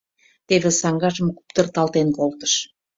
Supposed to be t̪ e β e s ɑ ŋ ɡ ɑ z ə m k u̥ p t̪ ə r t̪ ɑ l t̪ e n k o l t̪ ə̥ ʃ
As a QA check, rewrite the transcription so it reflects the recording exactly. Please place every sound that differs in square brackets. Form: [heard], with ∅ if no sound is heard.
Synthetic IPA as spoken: t̪ e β e s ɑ ŋ ɡ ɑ [ʒ] ə m k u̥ p t̪ ə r t̪ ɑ l t̪ e n k o l t̪ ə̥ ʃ